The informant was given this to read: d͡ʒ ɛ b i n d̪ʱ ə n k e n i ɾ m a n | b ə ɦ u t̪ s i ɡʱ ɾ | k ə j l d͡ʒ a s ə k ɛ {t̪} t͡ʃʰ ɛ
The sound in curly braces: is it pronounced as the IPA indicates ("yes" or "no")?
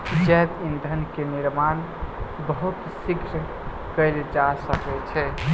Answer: no